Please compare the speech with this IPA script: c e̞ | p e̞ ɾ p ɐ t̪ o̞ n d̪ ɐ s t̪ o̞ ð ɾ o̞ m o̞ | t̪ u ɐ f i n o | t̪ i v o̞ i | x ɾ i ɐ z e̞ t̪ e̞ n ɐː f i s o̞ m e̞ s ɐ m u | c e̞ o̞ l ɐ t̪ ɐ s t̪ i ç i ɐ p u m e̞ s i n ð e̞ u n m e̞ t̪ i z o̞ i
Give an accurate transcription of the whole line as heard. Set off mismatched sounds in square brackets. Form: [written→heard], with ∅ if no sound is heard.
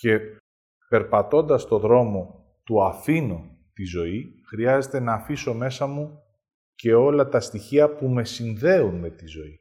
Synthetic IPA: c e̞ | p e̞ ɾ p ɐ t̪ o̞ n d̪ ɐ s t̪ o̞ ð ɾ o̞ m o̞ | t̪ u ɐ f i n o | t̪ i [v→z] o̞ i | x ɾ i ɐ z e̞ t̪ e̞ n ɐː f i s o̞ m e̞ s ɐ m u | c e̞ o̞ l ɐ t̪ ɐ s t̪ i ç i ɐ p u m e̞ s i n ð e̞ u n m e̞ t̪ i z o̞ i